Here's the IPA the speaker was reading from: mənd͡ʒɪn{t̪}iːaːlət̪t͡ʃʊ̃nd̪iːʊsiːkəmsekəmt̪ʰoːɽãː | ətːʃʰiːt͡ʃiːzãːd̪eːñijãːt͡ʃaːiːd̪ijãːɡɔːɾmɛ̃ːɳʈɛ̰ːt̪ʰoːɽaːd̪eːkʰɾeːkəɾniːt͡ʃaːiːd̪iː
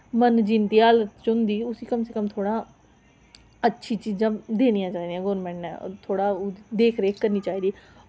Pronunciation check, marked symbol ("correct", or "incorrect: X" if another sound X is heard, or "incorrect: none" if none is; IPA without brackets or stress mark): correct